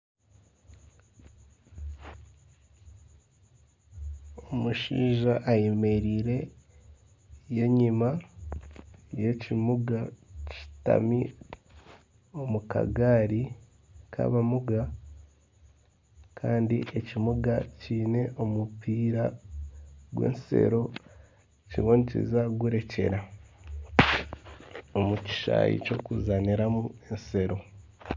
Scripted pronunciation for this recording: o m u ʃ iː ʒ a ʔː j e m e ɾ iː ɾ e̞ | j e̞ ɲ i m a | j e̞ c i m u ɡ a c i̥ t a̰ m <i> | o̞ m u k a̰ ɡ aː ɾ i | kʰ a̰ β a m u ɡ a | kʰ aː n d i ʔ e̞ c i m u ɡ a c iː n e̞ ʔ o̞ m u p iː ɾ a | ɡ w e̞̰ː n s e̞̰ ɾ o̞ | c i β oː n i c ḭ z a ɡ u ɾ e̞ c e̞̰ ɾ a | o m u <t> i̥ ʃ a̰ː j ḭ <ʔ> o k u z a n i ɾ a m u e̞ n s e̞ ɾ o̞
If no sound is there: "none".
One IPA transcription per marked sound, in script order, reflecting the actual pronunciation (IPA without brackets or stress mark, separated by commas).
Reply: i, c, c